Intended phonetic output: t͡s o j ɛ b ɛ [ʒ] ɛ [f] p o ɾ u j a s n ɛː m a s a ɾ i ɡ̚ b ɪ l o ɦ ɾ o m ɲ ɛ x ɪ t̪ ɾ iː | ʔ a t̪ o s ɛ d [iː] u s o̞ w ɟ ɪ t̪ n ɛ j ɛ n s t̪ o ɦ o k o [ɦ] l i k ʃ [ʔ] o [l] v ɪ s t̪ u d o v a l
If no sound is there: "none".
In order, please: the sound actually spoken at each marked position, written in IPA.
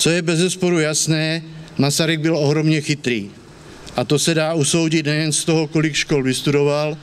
z, s, aː, none, k, l

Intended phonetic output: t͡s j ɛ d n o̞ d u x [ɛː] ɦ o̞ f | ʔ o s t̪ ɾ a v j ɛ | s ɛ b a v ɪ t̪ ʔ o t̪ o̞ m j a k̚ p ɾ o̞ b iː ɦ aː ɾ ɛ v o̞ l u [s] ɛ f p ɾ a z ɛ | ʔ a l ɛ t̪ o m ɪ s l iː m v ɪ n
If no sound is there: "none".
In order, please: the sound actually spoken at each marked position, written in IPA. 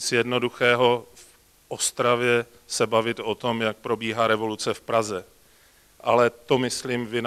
ɛː, t͡s

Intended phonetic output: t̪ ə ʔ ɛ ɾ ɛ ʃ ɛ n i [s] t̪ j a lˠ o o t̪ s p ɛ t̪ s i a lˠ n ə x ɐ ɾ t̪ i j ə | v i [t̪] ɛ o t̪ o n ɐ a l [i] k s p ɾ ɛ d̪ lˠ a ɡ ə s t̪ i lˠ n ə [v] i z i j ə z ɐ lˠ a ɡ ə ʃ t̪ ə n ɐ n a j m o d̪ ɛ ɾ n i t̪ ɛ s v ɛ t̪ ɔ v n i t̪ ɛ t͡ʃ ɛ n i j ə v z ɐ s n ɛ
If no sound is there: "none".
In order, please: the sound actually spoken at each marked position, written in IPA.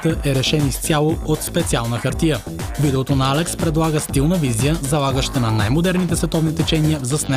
s, d̪, ɛ, v

